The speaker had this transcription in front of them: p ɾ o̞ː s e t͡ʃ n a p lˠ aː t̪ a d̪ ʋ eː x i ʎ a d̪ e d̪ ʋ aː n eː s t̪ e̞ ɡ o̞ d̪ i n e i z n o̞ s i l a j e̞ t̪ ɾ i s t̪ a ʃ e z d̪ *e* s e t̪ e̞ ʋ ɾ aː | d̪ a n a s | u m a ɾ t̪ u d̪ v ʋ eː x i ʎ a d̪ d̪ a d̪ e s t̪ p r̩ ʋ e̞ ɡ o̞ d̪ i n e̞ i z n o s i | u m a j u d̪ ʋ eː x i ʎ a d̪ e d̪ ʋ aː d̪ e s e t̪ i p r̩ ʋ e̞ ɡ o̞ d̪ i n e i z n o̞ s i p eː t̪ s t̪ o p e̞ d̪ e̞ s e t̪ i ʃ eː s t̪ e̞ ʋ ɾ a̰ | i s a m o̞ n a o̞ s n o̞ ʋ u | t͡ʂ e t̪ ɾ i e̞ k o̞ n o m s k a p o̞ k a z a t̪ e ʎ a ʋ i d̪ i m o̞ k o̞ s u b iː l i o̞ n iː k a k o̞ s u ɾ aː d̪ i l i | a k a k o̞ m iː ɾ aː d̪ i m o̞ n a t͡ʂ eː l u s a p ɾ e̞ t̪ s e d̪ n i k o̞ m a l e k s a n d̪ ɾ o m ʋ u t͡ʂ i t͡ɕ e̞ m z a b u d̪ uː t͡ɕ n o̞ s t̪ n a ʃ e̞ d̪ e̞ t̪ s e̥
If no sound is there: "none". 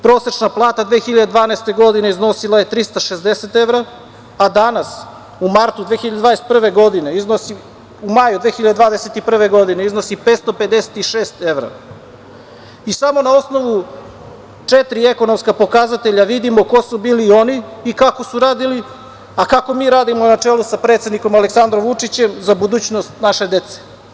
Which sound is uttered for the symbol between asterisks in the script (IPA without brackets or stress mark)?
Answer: e